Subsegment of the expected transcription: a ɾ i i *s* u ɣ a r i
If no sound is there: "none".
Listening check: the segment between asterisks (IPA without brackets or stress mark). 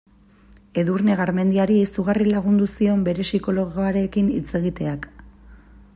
s